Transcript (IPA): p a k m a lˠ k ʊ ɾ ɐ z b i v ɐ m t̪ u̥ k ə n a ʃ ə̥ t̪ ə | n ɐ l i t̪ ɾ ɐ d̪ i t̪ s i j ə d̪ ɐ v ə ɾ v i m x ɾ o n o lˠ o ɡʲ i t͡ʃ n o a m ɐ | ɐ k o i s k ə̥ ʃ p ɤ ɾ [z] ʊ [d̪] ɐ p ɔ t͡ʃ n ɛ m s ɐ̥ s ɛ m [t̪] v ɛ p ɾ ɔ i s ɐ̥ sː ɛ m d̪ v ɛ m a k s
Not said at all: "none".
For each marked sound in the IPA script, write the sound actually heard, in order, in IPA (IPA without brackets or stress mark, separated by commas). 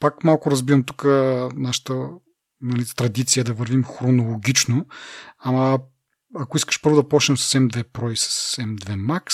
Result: v, d̪, d̪